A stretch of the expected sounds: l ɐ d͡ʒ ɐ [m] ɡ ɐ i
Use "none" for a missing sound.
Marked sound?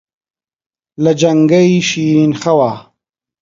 ŋ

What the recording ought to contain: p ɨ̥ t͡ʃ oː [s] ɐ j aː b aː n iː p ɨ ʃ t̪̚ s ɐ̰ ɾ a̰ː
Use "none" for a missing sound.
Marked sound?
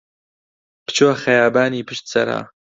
x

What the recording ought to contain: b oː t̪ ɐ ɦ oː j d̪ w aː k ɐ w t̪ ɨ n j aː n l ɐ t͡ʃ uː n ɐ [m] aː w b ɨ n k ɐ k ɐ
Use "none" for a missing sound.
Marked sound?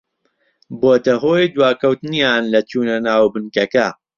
n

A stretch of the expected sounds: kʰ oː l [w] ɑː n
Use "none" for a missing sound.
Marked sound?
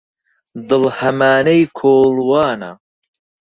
w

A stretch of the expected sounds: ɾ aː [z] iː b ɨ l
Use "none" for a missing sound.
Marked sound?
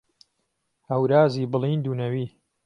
z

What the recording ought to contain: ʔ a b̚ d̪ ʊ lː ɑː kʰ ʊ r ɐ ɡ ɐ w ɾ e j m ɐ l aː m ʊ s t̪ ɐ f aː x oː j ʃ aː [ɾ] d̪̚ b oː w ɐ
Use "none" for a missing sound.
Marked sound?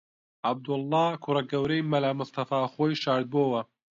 ɾ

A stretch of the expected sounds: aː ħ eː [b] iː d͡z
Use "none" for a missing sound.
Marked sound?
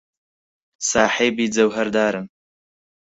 b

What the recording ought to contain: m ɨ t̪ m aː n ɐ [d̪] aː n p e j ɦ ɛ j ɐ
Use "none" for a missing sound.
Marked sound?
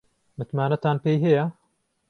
t̪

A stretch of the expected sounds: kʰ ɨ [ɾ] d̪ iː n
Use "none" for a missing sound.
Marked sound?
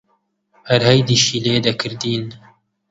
ɾ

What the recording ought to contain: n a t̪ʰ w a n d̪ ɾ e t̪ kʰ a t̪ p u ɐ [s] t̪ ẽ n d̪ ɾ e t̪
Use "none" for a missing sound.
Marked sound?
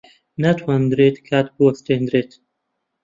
s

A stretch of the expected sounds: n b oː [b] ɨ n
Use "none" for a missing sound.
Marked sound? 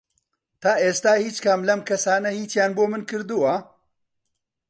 m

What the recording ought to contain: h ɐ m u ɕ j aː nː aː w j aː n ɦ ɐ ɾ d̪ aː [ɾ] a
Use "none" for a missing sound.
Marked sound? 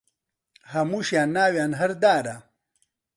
ɾ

